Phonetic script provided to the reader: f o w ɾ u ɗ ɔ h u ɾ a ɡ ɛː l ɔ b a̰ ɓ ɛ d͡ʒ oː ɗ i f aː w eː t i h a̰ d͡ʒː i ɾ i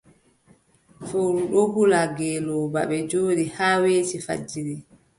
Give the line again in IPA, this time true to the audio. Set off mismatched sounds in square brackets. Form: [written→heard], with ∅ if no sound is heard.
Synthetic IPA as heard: f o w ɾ u ɗ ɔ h u [ɾ→l] a ɡ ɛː l ɔ b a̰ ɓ ɛ d͡ʒ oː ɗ i [f→h] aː w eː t i [h→f] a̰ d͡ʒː i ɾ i